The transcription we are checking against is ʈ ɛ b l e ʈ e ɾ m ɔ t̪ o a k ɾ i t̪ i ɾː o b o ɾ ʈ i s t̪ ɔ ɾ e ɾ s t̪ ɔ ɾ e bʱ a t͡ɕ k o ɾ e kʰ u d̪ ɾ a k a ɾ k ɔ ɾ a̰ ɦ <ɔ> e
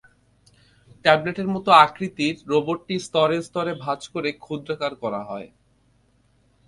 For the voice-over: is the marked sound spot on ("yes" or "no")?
yes